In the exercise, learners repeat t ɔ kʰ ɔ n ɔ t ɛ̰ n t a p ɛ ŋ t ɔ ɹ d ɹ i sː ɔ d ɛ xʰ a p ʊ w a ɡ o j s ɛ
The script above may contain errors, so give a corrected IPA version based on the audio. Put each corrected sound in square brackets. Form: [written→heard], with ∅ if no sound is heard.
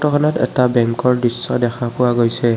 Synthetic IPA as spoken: t ɔ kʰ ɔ n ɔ t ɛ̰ [n→∅] t a [p→b] ɛ ŋ [t→k] ɔ ɹ d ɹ i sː ɔ d ɛ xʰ a p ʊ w a ɡ o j s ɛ